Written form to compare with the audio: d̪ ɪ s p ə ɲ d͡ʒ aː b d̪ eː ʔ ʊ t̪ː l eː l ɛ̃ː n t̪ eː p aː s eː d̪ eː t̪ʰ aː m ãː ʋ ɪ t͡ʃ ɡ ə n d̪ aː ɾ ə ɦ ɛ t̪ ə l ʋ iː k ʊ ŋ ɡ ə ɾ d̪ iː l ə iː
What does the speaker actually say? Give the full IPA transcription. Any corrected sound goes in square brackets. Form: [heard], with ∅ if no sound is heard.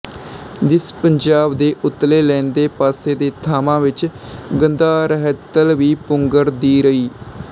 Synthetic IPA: d̪ ɪ s p ə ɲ d͡ʒ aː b d̪ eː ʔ ʊ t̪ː l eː l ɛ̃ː n [d̪] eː p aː s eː d̪ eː t̪ʰ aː m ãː ʋ ɪ t͡ʃ ɡ ə n d̪ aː ɾ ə ɦ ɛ t̪ ə l ʋ iː [p] ʊ ŋ ɡ ə ɾ d̪ iː [ɾ] ə iː